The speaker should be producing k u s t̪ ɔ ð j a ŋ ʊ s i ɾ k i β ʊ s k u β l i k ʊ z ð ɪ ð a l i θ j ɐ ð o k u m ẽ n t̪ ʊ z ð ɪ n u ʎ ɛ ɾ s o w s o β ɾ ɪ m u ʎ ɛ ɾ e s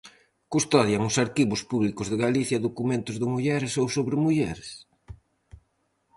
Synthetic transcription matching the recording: k u s t̪ ɔ ð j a ŋ ʊ s a ɾ k i β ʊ s p u β l i k ʊ z ð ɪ ɣ a l i θ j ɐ ð o k u m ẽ n t̪ ʊ z ð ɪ m u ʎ ɛ ɾ s o w s o β ɾ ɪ m u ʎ ɛ ɾ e s